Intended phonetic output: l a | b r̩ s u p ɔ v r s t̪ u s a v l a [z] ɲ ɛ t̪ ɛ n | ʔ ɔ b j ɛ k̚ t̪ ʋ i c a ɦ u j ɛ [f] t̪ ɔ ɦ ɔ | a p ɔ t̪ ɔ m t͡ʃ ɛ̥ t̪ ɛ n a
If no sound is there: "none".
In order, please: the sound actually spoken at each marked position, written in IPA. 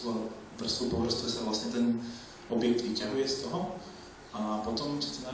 s, s

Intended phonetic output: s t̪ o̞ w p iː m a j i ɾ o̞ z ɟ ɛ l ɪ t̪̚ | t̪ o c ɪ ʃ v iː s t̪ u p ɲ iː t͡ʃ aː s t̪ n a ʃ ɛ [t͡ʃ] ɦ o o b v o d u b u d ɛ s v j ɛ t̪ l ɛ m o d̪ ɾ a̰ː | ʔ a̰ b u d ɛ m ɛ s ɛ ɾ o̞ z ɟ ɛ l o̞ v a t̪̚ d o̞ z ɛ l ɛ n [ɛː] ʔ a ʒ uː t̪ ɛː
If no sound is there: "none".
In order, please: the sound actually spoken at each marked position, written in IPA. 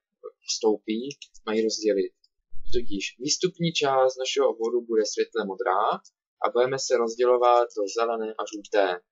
none, ɛː

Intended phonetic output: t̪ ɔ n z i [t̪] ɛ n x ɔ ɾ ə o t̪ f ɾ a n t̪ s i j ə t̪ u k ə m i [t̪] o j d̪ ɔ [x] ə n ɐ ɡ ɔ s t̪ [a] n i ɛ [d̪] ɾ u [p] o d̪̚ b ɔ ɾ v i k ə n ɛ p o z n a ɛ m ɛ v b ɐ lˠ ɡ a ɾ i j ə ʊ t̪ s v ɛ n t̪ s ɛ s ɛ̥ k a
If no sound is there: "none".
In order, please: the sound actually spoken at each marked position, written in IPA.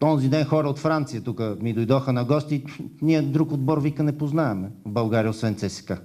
d̪, d̪, x, i, d̪, k

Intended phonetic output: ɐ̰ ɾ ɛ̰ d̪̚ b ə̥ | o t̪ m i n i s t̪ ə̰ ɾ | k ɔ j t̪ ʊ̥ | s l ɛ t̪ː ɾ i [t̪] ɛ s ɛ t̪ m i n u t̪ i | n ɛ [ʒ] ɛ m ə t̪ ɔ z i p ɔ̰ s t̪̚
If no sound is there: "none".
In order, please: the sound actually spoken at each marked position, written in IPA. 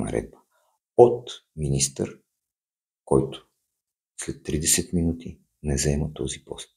d̪, z

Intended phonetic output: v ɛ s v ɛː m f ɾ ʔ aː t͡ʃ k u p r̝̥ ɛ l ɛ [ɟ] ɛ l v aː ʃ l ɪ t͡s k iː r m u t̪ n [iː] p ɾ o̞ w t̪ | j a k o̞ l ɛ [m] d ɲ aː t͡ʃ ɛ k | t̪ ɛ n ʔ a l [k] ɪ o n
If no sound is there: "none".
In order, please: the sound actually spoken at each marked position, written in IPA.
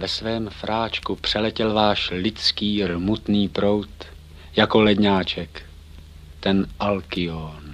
c, iː, none, k

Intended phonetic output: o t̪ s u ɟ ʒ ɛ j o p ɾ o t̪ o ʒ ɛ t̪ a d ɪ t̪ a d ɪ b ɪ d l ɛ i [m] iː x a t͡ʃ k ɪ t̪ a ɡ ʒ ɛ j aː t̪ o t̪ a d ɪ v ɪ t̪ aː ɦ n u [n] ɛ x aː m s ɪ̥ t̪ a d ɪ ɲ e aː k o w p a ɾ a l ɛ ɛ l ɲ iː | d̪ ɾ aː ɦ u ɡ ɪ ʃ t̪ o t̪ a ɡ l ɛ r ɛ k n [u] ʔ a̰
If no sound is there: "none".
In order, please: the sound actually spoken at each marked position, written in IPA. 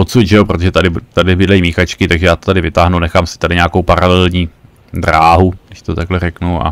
m, n, u

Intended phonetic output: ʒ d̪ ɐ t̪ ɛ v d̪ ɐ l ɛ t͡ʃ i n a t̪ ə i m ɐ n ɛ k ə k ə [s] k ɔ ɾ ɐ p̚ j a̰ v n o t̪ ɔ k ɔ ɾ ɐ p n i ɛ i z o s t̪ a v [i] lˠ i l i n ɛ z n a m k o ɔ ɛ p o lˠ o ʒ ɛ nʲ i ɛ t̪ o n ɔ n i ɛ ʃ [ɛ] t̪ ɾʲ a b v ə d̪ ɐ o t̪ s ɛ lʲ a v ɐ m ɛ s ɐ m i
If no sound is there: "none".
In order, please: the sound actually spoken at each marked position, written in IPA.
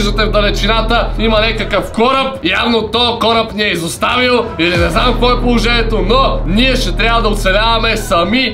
f, i, ɛ

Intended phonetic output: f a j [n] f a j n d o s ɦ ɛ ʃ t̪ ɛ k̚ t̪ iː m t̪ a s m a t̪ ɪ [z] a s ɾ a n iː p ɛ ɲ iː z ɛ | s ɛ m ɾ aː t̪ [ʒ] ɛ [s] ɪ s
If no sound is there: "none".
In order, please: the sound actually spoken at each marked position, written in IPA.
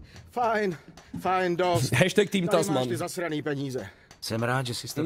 n, z, ʒ, s

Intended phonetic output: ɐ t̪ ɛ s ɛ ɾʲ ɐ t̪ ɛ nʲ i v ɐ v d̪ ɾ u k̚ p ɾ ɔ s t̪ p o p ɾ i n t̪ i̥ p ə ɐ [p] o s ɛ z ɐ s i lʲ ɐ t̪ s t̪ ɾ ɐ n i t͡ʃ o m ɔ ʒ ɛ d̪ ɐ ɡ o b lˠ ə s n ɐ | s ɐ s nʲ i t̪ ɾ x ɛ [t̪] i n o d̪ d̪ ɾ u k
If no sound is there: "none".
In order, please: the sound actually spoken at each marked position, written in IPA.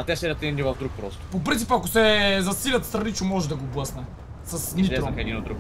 k, d̪

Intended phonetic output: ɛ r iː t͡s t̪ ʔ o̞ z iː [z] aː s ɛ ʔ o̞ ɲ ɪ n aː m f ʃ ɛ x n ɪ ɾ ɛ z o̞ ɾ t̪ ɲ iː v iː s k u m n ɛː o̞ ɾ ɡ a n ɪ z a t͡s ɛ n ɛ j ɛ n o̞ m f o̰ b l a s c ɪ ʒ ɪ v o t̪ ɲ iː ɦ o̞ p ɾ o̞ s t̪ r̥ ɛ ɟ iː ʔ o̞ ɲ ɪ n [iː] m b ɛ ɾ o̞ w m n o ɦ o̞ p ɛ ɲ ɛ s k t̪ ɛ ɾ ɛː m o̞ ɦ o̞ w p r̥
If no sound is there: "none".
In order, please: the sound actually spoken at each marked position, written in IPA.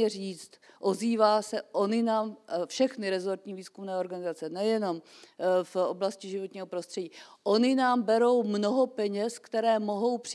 v, aː

